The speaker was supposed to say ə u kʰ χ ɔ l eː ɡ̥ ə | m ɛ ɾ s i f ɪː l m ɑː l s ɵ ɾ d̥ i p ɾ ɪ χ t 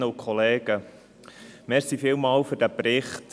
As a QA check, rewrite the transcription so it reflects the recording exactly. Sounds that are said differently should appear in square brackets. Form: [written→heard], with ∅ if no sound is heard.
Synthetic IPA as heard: ə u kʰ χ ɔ l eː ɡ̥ ə | m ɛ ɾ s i f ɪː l m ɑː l [s→f] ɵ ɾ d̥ [i→æ] p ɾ ɪ χ t